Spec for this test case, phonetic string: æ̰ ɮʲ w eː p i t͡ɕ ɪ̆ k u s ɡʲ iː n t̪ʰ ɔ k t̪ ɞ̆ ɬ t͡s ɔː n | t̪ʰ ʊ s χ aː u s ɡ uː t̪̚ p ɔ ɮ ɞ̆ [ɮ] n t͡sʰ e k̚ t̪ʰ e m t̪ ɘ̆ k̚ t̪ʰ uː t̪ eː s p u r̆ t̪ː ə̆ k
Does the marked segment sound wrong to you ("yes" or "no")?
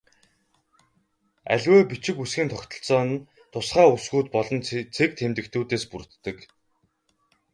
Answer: yes